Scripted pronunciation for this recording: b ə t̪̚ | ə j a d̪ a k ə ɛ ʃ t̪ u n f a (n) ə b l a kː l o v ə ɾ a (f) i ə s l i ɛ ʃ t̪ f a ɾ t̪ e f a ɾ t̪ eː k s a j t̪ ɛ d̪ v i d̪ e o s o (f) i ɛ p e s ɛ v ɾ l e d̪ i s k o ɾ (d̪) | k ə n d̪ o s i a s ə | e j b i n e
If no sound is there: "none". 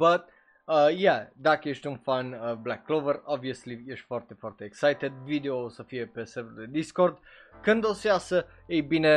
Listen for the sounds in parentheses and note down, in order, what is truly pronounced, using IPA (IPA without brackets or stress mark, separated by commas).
n, v, f, d̪